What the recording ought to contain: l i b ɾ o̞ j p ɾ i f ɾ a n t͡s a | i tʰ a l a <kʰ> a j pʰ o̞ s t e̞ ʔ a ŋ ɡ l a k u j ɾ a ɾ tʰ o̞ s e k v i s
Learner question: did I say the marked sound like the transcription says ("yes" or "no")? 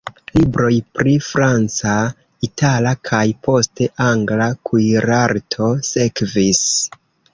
yes